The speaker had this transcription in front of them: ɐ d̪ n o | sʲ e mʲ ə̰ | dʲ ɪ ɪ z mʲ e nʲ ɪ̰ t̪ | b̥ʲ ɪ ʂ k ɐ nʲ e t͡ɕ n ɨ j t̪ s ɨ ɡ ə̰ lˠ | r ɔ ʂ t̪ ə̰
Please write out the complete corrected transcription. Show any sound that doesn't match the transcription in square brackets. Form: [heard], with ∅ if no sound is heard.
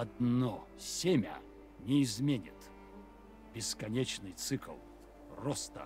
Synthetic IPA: ɐ d̪ n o | sʲ e mʲ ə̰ | [nʲ] ɪ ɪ z mʲ e nʲ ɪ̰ t̪ | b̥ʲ ɪ [s] k ɐ nʲ e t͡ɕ n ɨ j t̪ s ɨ [k] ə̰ lˠ | r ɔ [s] t̪ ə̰